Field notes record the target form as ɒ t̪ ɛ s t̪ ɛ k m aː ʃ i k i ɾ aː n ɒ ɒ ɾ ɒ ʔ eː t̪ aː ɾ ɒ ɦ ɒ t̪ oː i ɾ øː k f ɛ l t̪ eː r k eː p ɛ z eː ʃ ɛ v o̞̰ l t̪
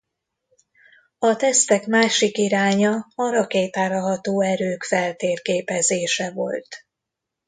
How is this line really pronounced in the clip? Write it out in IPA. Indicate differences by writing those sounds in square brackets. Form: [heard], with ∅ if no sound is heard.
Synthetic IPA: ɒ t̪ ɛ s t̪ ɛ k m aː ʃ i k i ɾ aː [ɲ] ɒ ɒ ɾ ɒ [k] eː t̪ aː ɾ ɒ ɦ ɒ t̪ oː [ɛ] ɾ øː k f ɛ l t̪ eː r k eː p ɛ z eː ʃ ɛ v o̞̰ l t̪